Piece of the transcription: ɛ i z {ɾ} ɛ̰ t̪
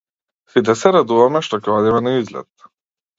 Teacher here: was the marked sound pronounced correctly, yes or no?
no